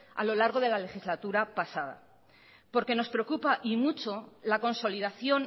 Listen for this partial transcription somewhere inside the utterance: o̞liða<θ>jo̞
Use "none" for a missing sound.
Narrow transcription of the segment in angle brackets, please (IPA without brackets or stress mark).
θ